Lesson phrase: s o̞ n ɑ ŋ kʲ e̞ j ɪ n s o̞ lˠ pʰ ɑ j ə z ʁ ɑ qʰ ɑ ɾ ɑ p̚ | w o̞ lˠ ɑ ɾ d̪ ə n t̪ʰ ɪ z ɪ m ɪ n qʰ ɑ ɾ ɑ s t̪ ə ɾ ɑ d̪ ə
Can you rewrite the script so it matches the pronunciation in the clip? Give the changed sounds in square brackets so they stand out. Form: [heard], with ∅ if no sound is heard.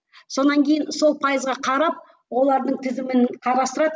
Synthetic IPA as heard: s o̞ n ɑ ŋ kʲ e̞ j ɪ n s o̞ lˠ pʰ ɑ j ə z ʁ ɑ qʰ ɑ ɾ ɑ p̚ | w o̞ lˠ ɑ ɾ d̪ ə [ɴ] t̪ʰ ɪ z ɪ m ɪ n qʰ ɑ ɾ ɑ s t̪ ə ɾ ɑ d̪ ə